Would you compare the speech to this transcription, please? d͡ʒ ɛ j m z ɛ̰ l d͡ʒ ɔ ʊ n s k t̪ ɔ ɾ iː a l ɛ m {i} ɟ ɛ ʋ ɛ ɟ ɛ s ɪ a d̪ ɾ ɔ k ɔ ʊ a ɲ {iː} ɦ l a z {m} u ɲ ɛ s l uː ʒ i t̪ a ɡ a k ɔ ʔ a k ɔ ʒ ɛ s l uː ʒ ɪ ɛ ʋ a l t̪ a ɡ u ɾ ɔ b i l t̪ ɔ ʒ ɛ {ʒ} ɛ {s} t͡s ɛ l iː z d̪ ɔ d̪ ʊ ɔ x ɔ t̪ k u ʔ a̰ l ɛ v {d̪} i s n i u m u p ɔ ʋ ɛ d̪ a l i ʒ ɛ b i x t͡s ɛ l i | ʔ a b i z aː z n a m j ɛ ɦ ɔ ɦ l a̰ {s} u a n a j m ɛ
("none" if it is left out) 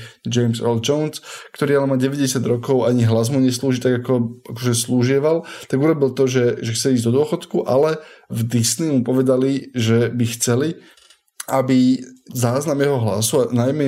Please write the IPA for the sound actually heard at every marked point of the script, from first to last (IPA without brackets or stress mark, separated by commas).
a, i, m, ʒ, x, d̪, s